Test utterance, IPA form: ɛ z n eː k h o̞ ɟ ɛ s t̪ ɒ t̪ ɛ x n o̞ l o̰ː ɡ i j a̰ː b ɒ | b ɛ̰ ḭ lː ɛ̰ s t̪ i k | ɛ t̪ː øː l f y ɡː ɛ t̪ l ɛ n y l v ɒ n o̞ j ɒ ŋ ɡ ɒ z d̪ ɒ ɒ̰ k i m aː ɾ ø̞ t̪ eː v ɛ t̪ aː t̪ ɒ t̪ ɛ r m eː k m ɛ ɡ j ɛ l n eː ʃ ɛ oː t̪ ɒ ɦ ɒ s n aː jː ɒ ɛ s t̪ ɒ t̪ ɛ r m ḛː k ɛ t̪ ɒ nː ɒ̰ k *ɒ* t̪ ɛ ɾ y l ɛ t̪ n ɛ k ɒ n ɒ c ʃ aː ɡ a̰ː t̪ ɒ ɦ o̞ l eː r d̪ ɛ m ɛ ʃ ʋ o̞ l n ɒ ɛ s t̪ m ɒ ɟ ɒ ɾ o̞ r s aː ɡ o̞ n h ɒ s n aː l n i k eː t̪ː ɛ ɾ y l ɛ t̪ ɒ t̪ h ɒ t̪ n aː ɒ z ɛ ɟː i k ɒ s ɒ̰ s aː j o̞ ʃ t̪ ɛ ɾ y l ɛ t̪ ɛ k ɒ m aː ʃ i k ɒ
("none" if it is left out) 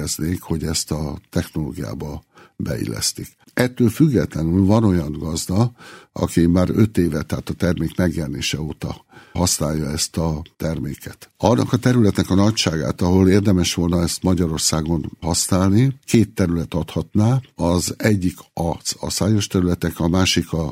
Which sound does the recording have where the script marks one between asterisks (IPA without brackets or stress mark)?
ɒ